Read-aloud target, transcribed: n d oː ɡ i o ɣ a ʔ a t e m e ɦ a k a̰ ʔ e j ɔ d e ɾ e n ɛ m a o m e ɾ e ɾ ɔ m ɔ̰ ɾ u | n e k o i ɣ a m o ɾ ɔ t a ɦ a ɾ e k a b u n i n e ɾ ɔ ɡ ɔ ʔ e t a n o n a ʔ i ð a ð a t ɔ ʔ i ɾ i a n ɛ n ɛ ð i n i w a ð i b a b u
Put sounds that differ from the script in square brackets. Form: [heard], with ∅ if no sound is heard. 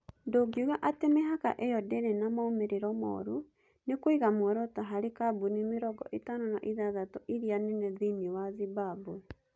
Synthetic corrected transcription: n d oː ɡ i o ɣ a ʔ a t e m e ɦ a k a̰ ʔ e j ɔ d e ɾ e n [a] m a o m e ɾ e ɾ ɔ m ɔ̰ ɾ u | n e k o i ɣ a m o ɾ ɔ t a ɦ a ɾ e k a b u n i [m] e ɾ ɔ ɡ ɔ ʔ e t a n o n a ʔ i ð a ð a t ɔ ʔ i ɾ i a n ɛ n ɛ ð i n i w a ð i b a b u